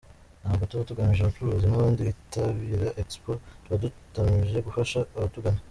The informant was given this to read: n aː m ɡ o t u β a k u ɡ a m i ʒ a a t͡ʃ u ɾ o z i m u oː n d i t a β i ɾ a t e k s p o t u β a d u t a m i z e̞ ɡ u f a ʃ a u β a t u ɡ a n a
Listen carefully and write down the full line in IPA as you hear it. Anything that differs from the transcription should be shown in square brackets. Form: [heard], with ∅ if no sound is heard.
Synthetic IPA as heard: n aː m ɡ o t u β a [t] u ɡ a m i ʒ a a t͡ʃ u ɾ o z i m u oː n d i t a β i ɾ a [ʔ] e k s p o t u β a d u t a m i [ʒ] e̞ ɡ u f a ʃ a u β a t u ɡ a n a